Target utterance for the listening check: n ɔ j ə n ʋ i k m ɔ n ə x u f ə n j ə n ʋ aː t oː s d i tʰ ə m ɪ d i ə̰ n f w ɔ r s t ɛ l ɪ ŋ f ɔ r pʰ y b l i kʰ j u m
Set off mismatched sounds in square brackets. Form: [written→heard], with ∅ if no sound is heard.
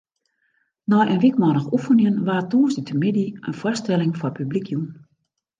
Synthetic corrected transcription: n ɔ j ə n ʋ i k m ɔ n ə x u f ə n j ə n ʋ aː t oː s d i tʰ ə m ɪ d i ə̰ n f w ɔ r s t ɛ l ɪ ŋ f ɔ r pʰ y b l i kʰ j u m